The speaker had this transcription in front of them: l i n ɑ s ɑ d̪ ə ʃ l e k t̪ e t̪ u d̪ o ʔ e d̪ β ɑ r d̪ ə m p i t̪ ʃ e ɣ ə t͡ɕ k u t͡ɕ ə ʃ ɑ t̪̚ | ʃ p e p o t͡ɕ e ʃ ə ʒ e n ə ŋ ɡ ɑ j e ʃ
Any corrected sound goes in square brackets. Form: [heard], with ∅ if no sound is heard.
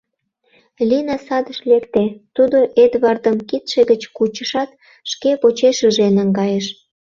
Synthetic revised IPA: l i n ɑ s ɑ d̪ ə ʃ l e k t̪ e t̪ u d̪ o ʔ e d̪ β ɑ r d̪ ə m [k] i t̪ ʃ e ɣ ə t͡ɕ k u t͡ɕ ə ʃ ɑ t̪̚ | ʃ [k] e p o t͡ɕ e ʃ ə ʒ e n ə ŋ ɡ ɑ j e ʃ